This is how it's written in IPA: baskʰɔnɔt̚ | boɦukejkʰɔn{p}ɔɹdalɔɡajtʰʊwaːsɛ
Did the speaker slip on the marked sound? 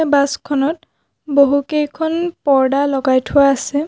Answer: no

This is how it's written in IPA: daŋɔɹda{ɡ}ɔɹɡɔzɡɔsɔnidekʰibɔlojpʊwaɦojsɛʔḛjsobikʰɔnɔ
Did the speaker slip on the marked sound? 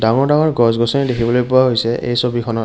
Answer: yes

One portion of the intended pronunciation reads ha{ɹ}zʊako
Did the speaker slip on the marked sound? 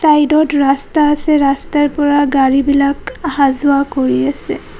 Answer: yes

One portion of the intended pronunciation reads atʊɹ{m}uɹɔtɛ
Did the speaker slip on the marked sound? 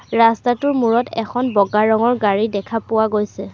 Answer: no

